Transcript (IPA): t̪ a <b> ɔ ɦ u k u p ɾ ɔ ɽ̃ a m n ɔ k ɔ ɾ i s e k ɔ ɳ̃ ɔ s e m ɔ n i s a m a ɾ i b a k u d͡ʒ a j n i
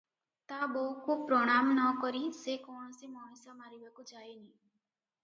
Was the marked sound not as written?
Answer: no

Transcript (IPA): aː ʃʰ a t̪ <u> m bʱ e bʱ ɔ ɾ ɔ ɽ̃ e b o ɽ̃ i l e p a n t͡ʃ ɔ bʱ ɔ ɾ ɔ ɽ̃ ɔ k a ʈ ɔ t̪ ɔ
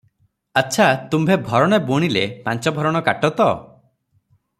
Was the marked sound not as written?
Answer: no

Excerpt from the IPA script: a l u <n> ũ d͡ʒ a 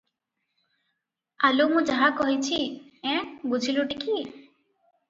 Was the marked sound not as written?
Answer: yes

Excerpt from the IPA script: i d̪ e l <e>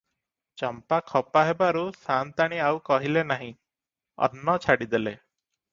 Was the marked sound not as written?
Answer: no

